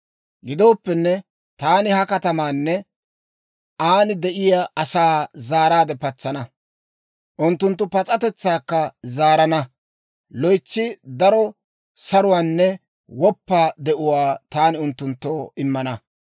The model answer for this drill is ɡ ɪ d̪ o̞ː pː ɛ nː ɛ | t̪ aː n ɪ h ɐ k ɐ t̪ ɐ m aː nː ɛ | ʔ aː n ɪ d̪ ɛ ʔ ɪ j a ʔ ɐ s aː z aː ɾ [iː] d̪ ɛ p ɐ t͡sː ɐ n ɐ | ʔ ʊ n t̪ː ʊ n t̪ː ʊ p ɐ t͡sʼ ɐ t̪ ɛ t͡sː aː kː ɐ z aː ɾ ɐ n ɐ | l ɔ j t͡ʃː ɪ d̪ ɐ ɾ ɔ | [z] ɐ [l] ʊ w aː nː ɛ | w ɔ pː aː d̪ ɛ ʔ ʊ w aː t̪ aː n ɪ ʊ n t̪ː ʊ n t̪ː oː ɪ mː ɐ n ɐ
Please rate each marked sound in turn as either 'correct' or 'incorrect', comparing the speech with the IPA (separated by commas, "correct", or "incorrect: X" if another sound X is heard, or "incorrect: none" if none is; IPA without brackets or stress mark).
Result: incorrect: aː, incorrect: s, incorrect: ɾ